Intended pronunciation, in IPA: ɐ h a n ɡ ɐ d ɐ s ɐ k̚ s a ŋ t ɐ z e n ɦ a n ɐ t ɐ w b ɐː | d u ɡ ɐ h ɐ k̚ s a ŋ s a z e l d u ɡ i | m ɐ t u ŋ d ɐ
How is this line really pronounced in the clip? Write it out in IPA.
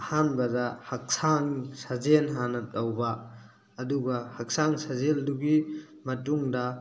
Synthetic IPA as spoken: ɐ h a n b ɐ d ɐ h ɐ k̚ s a ŋ s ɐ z e n ɦ a n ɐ t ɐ w b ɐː | d u ɡ ɐ h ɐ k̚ s a ŋ s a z e l d u ɡ i | m ɐ t u ŋ d ɐ